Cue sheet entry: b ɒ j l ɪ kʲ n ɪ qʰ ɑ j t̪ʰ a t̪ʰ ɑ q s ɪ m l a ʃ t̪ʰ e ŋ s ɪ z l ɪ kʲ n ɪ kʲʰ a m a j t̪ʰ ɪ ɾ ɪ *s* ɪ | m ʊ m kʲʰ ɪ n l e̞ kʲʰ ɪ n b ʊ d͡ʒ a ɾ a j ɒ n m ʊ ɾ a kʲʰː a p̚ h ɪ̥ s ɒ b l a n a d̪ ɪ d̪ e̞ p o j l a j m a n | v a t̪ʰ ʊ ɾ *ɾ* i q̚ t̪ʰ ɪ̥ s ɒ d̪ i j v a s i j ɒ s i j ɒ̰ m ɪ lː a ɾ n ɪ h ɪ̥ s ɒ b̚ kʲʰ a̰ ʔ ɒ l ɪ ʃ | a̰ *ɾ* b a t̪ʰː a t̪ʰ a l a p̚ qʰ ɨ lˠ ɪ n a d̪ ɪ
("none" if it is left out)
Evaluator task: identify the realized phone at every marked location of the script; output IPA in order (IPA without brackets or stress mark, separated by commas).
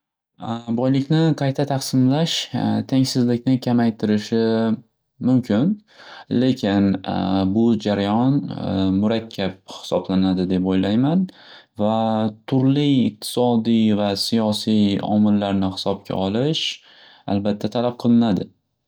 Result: ʃ, l, l